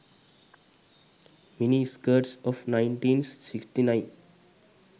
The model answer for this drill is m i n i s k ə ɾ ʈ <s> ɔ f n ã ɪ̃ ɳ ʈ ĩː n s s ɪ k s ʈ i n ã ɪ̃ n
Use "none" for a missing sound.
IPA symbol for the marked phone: s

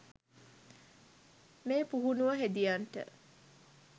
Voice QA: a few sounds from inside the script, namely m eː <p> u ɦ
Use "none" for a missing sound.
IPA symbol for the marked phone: p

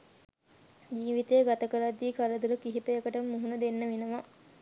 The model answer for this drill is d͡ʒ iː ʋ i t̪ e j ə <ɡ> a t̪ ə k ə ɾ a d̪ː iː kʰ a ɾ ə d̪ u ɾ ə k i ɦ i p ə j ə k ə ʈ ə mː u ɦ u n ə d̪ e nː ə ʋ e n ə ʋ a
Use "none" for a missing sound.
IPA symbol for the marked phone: ɡ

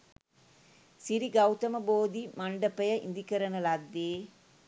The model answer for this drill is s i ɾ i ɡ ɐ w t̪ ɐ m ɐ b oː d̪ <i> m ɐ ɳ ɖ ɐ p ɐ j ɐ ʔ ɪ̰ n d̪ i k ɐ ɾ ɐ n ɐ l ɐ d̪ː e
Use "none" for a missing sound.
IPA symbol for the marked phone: i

